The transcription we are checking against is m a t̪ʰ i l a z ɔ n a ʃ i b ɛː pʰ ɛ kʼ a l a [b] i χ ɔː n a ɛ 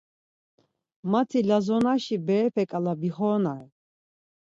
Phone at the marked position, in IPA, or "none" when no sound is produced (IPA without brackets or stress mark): b